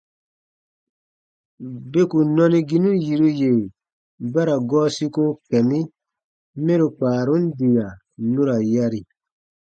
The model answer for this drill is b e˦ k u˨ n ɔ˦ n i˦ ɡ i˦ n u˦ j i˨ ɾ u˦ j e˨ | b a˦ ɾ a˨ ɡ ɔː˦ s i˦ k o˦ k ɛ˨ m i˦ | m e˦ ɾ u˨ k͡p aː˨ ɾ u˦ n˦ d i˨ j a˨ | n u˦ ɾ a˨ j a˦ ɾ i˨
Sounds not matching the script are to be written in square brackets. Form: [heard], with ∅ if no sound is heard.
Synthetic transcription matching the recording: b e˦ k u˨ n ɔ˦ n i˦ ɡ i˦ n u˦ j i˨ ɾ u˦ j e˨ | b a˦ ɾ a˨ ɡ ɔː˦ s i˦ k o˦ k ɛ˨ m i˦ | m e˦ ɾ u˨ k͡p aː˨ ɾ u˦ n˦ d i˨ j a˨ | n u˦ ɾ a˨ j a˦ ɾ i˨

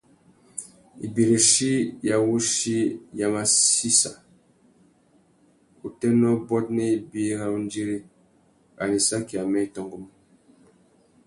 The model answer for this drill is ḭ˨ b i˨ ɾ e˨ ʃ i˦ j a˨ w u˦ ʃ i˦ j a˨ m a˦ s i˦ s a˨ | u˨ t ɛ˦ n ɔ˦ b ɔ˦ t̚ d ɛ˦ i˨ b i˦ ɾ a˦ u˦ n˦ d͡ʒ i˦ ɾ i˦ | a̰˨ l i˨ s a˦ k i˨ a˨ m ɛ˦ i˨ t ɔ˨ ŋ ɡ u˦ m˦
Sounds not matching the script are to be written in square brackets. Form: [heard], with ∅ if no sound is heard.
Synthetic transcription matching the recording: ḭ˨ b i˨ ɾ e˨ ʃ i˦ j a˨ w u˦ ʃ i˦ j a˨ m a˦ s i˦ s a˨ | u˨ t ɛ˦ n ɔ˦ b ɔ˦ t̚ [n] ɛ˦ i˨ b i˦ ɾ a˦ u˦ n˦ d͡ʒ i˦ ɾ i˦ | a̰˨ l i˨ s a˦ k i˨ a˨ m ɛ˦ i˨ t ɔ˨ ŋ ɡ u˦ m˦

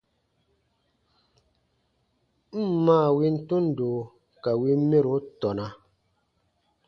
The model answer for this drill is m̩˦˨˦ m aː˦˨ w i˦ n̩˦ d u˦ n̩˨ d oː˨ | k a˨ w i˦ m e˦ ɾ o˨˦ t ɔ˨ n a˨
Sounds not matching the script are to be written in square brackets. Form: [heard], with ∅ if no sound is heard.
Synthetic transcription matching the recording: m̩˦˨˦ m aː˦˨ w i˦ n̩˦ [t] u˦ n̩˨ d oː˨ | k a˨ w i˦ m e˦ ɾ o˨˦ t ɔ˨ n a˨

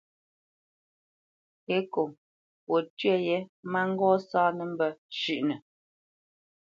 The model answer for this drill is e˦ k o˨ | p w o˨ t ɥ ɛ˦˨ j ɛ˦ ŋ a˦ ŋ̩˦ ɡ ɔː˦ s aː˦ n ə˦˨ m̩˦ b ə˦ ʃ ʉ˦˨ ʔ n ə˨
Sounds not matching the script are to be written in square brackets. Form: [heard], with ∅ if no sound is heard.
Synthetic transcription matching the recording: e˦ k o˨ | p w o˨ t ɥ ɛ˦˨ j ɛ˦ [m] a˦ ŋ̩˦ ɡ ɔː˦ s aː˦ n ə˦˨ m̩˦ b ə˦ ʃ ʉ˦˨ ʔ n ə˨

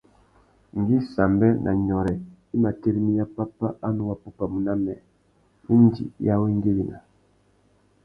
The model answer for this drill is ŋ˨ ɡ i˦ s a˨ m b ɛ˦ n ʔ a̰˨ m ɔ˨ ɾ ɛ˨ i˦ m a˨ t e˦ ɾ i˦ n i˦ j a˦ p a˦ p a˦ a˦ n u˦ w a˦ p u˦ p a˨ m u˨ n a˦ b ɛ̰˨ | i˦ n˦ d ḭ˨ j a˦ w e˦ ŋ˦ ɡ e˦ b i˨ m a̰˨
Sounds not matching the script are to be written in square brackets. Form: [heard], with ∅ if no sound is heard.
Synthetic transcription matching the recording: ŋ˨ ɡ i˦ s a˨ m b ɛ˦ n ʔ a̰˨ [ɲ] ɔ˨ ɾ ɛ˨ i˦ m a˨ t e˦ ɾ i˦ [m] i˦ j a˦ p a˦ p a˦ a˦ n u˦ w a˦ p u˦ p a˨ m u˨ n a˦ [m] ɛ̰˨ | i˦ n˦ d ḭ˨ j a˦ w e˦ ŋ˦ ɡ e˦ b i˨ [n] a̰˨

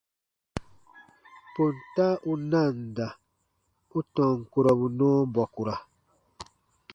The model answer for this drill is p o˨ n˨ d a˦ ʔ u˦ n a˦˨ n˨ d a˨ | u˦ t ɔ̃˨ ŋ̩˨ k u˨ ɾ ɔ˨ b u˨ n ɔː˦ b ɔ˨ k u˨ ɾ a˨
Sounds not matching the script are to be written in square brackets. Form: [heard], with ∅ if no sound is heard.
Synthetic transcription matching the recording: p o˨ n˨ [t] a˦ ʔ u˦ n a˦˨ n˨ d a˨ | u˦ t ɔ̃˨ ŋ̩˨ k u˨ ɾ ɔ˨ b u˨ n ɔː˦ b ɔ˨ k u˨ ɾ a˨

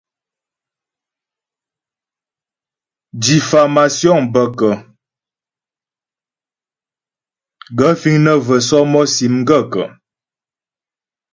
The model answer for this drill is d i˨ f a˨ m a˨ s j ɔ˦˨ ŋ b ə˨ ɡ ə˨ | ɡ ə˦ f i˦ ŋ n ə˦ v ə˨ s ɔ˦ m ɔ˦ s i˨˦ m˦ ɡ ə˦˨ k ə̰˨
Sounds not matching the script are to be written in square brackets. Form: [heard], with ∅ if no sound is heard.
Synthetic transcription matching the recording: d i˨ f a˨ m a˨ s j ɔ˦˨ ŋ b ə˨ [k] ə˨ | ɡ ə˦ f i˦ ŋ n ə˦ v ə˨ s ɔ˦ m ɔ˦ s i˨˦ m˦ ɡ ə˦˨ k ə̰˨

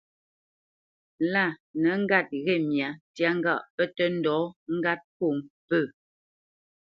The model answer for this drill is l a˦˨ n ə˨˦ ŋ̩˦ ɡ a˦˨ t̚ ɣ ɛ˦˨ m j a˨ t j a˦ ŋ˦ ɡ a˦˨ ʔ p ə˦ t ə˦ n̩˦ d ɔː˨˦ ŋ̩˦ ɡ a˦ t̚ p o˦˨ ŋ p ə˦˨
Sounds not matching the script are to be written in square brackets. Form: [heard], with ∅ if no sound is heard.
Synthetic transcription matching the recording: l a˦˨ n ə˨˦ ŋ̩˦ ɡ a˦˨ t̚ ɣ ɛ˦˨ m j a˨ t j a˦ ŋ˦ ɡ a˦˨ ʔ p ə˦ t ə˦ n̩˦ d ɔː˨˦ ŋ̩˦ ɡ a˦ t̚ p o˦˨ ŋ p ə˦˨

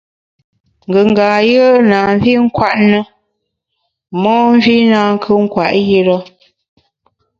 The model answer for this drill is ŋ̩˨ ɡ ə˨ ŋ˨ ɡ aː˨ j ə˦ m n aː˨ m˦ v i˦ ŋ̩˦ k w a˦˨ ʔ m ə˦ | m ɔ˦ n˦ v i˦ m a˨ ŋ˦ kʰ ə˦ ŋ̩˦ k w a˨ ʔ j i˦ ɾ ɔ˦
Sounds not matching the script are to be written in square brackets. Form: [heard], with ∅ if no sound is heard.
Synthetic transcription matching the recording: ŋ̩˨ ɡ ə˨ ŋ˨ ɡ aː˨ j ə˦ [∅] n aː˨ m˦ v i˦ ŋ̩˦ k w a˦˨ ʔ [n] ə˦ | m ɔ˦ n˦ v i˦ [n] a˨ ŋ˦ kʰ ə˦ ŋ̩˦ k w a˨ ʔ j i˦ ɾ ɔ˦

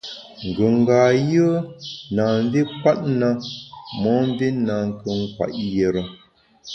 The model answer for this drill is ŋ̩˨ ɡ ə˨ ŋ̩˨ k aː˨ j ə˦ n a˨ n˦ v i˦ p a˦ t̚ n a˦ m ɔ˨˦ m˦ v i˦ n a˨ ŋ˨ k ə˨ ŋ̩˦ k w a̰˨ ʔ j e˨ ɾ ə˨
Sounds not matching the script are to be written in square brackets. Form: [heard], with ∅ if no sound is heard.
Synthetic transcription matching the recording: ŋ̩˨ ɡ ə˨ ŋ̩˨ [ɡ] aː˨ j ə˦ n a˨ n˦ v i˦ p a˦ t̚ n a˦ m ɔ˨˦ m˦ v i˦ n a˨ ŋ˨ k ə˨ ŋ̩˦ k w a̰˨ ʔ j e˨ ɾ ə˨

